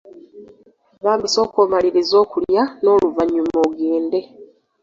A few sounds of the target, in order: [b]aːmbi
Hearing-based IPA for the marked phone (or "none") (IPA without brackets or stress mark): β